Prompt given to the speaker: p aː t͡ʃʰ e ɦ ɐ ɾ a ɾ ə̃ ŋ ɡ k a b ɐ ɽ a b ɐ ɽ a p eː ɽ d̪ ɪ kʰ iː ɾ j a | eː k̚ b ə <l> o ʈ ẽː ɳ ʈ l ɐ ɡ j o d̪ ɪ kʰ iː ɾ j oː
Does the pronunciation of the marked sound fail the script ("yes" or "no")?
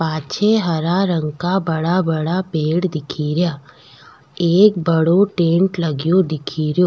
yes